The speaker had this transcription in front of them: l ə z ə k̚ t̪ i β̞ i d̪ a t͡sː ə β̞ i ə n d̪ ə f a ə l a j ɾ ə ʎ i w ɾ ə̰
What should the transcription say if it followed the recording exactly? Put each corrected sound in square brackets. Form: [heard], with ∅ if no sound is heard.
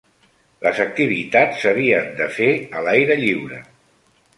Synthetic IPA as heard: l ə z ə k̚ t̪ i β̞ i [t̪] a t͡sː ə β̞ i ə n d̪ ə f [e] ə l a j ɾ ə ʎ i w ɾ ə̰